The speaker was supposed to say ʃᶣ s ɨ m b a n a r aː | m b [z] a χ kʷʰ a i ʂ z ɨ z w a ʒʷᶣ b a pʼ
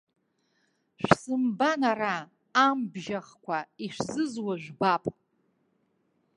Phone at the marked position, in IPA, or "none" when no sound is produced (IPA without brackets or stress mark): ʒ